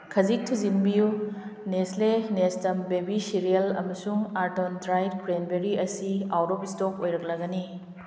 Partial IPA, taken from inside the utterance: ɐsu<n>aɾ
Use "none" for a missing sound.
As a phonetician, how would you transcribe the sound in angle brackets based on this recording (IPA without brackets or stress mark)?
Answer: ŋ